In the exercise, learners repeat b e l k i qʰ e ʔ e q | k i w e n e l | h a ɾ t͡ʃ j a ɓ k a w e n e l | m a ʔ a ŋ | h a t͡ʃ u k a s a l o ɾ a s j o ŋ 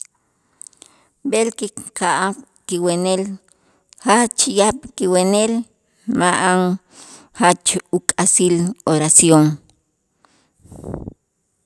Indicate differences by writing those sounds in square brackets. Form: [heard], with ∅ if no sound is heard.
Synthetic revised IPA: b e l k i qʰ [a] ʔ [a] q | k i w e n e l | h a [∅] t͡ʃ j a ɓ k [i] w e n e l | m a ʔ a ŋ | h a t͡ʃ u [kʼ] a s [i] l o ɾ a s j o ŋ